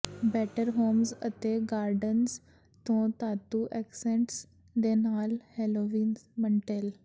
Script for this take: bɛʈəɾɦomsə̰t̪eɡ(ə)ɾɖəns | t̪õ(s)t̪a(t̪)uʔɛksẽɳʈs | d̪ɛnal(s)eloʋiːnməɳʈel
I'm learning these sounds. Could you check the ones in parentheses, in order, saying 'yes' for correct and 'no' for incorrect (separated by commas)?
no, no, yes, no